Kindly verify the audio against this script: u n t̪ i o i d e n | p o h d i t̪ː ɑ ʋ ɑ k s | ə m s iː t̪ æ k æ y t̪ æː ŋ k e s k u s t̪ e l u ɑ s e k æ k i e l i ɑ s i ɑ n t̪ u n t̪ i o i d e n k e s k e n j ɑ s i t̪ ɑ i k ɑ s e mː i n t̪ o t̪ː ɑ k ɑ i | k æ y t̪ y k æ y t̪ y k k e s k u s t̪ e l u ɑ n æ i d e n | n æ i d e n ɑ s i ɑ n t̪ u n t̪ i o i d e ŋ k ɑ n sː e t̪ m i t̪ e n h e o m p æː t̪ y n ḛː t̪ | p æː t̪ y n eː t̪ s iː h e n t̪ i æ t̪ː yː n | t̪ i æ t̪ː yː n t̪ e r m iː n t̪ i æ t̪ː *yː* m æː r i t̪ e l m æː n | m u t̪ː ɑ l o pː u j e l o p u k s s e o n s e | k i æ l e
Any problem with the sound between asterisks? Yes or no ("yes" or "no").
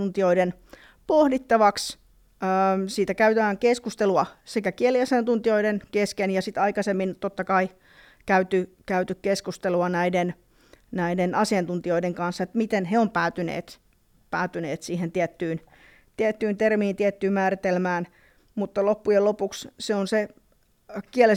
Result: no